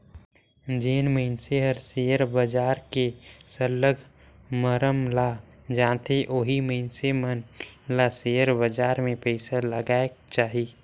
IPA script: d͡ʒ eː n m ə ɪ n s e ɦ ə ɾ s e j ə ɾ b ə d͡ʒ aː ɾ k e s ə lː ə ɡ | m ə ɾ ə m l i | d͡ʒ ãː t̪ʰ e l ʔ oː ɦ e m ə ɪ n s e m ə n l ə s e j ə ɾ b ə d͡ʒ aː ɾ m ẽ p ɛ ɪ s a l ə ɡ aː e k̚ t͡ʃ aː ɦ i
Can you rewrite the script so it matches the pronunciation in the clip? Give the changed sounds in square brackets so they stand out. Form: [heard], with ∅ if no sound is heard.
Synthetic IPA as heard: d͡ʒ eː n m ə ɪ n s e ɦ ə ɾ s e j ə ɾ b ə d͡ʒ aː ɾ k e s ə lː ə ɡ | m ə ɾ ə m l [a] | d͡ʒ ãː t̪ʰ e [∅] ʔ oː ɦ [i] m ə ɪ n s e m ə n l [a] s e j ə ɾ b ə d͡ʒ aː ɾ m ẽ p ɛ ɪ s a l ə ɡ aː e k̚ t͡ʃ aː ɦ i